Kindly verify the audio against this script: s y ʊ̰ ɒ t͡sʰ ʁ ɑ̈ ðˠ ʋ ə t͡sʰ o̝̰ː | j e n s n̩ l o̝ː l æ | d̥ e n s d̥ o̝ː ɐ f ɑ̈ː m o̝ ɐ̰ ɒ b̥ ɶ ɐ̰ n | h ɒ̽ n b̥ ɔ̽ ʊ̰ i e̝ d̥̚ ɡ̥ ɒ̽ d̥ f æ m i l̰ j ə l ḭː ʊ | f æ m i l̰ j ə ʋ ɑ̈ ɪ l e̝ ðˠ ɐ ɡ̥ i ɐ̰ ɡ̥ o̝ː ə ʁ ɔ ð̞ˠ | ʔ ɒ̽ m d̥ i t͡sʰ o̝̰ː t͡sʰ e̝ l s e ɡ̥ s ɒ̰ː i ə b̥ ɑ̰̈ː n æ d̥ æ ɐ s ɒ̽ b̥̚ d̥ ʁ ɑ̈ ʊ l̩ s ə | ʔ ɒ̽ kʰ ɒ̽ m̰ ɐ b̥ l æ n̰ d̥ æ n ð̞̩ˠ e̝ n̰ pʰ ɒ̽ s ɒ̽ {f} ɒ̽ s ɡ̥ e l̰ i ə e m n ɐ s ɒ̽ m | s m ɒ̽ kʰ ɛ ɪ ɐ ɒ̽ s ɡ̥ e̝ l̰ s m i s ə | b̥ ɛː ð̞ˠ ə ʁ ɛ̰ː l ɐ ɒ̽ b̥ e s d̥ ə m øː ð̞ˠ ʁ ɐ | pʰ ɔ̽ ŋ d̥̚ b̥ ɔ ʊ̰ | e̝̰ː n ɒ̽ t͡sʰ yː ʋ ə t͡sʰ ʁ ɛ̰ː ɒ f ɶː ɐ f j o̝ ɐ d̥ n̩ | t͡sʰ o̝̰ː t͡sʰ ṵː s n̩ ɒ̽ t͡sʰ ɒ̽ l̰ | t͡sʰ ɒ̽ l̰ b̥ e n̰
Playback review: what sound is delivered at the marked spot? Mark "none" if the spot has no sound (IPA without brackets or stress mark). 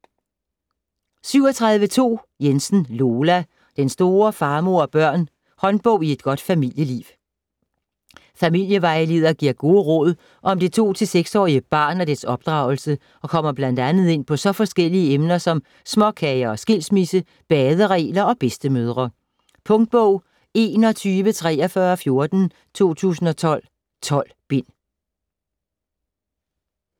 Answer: f